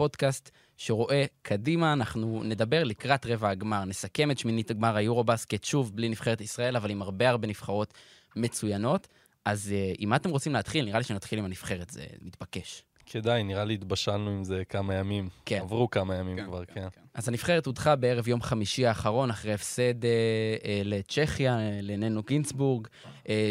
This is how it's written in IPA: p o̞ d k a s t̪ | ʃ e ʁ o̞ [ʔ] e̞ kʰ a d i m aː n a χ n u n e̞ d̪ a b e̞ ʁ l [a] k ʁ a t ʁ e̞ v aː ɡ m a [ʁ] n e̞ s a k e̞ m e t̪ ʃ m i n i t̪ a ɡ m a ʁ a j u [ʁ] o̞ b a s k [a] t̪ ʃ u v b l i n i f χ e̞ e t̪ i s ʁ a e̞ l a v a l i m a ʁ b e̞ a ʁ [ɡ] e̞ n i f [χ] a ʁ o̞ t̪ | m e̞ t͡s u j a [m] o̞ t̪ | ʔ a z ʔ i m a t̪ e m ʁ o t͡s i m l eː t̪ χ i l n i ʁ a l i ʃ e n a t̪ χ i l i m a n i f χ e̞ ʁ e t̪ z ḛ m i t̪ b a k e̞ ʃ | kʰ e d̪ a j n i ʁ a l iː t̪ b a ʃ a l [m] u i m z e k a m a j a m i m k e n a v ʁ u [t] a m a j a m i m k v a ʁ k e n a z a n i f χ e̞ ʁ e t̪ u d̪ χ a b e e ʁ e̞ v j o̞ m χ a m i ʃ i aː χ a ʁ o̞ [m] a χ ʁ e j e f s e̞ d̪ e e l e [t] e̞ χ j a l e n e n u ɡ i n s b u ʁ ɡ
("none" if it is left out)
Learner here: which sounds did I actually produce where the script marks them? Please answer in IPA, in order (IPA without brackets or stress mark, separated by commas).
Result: ʔ, i, ʁ, ʁ, e, b, χ, n, n, k, n, t͡ʃ